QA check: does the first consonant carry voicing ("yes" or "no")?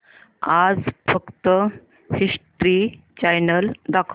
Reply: yes